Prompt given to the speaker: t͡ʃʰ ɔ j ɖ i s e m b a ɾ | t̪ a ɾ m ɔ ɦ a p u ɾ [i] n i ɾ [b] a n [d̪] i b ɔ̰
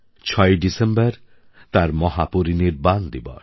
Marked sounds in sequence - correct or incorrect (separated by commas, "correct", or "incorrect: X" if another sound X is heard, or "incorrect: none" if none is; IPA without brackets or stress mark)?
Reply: correct, correct, correct